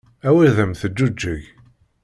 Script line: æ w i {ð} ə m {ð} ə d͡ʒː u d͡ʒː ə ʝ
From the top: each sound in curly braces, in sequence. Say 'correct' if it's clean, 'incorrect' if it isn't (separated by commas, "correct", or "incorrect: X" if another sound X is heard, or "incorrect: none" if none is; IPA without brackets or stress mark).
correct, incorrect: θ